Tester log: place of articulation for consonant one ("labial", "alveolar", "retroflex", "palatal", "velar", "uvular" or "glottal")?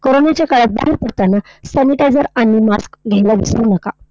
velar